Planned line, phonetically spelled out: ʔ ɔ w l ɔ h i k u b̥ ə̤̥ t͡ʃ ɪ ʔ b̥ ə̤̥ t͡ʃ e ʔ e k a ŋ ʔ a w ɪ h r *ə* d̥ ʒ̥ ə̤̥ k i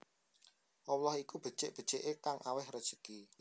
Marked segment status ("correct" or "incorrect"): correct